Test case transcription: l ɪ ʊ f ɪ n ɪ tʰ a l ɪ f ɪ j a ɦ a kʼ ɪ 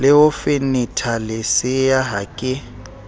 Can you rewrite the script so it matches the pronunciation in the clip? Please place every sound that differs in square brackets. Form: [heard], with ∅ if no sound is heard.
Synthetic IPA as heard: l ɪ ʊ f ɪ n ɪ tʰ a l ɪ [s] ɪ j a ɦ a kʼ ɪ